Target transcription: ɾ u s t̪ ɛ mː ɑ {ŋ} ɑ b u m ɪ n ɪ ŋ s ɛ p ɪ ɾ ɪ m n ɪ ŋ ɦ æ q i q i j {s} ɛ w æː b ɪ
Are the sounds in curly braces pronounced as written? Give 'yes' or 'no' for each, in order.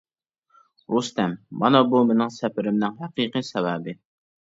no, yes

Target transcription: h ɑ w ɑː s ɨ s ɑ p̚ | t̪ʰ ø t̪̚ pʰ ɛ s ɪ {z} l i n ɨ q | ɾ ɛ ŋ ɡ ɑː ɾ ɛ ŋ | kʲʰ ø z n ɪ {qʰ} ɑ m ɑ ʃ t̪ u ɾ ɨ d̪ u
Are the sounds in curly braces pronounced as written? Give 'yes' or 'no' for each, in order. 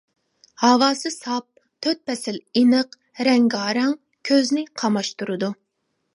no, yes

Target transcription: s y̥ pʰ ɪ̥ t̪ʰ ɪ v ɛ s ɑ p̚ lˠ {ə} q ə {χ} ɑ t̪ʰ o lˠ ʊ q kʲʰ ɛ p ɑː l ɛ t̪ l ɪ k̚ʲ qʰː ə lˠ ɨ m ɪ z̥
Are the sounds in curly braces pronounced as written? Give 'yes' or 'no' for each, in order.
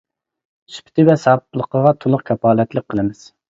yes, no

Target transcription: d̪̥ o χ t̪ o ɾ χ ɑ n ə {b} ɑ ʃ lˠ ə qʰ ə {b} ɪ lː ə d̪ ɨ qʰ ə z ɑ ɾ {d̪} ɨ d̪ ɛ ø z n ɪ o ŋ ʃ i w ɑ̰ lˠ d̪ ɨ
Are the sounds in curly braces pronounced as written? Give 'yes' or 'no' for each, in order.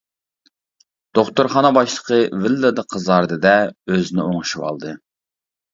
yes, no, yes

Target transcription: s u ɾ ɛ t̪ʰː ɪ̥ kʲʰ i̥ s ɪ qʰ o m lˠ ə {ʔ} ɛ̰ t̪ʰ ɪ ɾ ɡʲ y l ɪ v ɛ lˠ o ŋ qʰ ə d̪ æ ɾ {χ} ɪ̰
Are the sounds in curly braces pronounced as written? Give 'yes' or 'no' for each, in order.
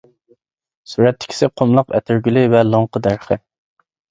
no, yes

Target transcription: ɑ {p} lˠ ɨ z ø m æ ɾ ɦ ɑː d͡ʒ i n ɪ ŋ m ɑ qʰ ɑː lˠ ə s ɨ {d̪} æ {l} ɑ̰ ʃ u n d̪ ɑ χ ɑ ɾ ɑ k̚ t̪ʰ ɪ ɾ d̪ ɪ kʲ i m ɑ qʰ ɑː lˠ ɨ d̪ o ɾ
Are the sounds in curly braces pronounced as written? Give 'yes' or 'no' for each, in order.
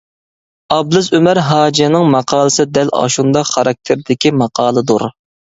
no, yes, yes

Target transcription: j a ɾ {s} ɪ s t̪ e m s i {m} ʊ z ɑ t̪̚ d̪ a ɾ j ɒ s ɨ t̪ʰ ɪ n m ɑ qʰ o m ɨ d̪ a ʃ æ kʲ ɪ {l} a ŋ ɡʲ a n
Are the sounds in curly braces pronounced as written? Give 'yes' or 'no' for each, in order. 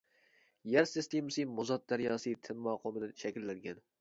yes, yes, no

